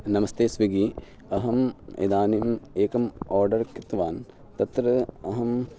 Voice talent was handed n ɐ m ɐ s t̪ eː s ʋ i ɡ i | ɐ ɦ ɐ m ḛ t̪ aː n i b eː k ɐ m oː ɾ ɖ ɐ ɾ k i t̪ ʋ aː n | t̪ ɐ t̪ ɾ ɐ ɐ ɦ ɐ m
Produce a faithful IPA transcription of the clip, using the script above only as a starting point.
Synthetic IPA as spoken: n ɐ m ɐ s t̪ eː s ʋ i ɡ i | ɐ ɦ ɐ m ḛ d̪ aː n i m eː k ɐ m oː ɾ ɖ ɐ ɾ k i t̪ ʋ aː n | t̪ ɐ t̪ ɾ ɐ ɐ ɦ ɐ m